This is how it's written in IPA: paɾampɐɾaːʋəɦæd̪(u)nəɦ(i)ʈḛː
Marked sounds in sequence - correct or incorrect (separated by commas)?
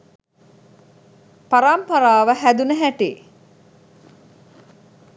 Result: correct, incorrect